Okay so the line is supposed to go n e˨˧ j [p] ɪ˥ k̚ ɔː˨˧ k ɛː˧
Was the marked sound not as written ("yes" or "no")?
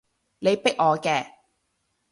no